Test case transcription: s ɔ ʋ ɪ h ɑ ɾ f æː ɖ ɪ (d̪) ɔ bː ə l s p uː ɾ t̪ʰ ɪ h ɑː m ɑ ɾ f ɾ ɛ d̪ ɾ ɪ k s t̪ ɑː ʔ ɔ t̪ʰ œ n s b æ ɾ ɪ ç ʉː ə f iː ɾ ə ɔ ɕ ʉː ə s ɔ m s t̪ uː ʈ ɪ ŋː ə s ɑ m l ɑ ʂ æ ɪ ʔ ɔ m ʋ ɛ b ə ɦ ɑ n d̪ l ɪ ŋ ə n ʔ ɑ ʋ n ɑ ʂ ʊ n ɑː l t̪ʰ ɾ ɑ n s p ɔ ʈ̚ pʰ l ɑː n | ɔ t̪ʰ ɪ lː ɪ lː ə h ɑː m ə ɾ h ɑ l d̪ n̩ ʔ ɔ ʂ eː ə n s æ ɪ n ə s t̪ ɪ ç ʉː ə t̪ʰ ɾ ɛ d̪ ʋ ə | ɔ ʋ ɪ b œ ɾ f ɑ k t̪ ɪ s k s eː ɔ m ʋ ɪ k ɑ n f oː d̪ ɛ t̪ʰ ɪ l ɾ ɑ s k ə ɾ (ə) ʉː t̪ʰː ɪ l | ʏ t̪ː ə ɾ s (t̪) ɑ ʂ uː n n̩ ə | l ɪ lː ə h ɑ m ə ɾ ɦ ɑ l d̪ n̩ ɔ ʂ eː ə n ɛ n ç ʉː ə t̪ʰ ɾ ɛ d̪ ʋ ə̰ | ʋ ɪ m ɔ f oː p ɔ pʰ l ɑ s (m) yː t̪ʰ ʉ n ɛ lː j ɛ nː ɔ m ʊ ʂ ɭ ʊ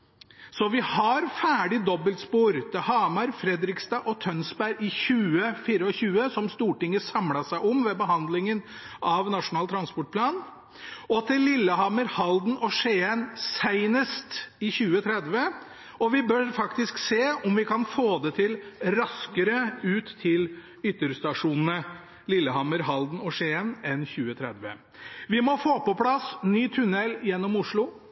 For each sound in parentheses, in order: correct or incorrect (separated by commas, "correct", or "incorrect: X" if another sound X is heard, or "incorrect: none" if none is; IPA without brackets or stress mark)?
correct, correct, correct, incorrect: n